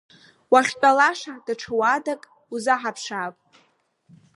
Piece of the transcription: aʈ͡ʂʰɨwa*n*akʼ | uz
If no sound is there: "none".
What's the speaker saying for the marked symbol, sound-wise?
d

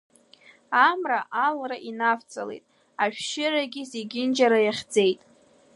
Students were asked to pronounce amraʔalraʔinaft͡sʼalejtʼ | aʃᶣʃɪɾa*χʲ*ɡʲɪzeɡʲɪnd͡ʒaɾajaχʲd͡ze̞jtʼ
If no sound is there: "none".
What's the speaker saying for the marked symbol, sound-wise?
none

